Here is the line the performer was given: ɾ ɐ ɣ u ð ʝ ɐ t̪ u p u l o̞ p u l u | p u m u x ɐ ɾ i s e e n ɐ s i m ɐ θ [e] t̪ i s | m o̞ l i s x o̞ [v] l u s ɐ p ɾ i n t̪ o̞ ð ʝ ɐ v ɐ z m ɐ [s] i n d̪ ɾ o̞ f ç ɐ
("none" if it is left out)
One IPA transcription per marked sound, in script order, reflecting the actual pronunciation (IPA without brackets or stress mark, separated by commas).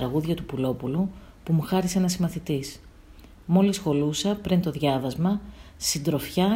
i, none, s